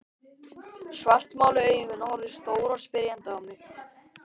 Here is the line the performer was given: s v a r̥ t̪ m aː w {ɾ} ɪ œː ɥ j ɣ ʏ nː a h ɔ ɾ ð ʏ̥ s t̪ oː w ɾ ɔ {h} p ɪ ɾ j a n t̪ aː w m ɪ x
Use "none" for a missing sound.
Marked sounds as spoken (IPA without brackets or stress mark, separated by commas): l, s